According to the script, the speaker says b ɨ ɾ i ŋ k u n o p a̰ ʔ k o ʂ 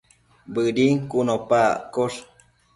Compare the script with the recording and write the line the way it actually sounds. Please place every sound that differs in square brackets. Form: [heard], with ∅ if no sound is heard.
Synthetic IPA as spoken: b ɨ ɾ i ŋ k u n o p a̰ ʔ k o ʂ